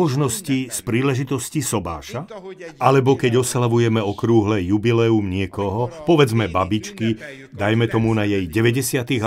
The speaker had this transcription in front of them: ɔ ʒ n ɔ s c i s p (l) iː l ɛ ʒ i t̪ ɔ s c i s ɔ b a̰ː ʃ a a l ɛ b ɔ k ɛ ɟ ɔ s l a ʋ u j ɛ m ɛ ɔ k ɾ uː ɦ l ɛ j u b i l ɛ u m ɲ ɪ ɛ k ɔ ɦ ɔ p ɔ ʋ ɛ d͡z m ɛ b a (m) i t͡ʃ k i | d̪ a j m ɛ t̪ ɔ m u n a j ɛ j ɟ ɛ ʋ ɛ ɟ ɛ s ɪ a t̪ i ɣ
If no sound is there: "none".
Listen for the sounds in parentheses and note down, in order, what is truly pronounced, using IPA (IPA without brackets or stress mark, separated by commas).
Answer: ɾ, b